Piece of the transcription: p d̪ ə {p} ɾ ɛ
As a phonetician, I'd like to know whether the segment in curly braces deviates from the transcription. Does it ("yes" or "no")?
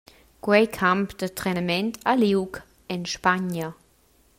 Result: yes